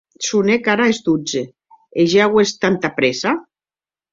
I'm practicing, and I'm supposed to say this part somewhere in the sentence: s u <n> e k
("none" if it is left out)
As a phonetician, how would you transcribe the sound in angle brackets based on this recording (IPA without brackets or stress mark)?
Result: n